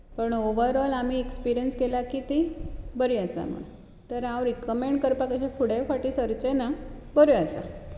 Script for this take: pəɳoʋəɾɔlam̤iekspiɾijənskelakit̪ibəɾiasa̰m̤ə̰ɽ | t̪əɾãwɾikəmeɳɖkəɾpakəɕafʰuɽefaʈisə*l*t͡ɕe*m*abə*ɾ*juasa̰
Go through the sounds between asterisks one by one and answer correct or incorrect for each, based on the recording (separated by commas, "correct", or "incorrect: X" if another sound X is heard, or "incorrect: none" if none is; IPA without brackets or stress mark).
incorrect: ɾ, incorrect: n, correct